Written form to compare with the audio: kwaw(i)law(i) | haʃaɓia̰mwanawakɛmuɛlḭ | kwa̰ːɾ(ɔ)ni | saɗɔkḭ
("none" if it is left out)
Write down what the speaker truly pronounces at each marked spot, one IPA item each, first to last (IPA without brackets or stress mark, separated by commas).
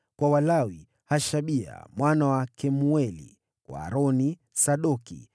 a, i, ɔ